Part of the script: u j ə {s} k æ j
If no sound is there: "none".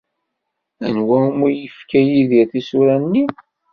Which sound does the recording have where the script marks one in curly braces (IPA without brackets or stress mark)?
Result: f